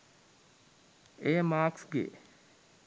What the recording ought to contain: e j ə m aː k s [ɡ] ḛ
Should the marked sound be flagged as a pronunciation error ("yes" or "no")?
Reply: no